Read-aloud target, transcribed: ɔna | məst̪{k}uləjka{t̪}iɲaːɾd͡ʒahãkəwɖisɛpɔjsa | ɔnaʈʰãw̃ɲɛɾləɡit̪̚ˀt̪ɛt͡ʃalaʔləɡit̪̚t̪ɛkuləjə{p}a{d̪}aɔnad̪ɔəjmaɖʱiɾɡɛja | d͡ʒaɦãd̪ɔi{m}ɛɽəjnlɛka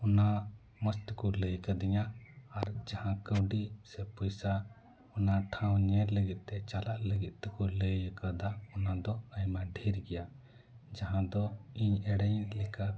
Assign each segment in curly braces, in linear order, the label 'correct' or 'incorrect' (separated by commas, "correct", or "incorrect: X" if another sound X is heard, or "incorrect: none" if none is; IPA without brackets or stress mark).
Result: correct, incorrect: d̪, incorrect: k, correct, incorrect: ɲ